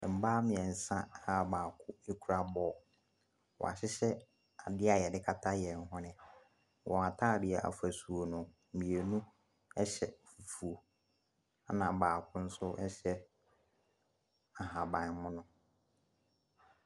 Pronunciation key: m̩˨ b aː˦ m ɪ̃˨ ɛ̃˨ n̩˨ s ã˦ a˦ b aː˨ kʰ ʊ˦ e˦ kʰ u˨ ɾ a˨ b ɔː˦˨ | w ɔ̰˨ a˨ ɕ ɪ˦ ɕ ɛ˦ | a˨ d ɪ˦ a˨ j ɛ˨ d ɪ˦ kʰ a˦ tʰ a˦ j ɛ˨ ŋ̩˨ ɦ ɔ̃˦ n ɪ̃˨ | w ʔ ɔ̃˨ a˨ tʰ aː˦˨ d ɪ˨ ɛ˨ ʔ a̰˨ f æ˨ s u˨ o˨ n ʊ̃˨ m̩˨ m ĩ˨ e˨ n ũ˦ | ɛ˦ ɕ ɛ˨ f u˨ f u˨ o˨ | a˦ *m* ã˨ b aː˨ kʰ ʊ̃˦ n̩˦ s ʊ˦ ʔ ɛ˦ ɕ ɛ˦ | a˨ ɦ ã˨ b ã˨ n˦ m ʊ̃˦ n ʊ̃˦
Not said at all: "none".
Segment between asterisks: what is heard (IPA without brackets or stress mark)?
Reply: n